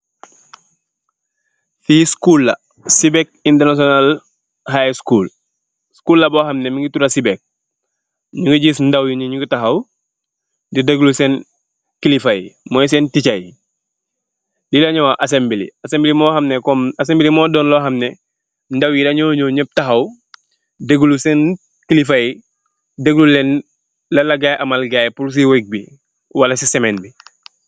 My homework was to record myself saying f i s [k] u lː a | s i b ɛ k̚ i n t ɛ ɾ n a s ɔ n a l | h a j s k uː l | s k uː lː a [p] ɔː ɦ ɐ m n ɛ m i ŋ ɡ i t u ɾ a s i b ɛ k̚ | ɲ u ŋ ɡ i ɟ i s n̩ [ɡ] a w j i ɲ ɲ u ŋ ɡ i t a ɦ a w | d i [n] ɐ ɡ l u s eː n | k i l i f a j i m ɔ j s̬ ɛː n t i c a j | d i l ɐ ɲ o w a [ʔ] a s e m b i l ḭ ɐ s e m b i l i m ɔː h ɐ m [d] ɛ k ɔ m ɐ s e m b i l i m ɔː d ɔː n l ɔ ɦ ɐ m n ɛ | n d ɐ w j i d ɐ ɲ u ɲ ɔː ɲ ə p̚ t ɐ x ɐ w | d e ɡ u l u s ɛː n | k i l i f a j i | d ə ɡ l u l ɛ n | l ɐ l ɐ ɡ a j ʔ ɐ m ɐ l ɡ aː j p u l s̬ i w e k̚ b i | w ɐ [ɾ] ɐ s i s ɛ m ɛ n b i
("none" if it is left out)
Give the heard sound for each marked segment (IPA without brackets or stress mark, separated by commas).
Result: k, b, d, d, ʔ, n, l